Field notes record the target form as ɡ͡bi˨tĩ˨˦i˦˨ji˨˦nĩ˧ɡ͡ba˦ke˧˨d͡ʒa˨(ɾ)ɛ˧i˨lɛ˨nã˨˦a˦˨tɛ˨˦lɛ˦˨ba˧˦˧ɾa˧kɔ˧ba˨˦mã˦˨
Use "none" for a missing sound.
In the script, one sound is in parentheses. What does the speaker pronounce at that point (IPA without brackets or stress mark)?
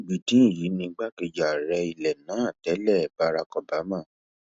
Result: ɾ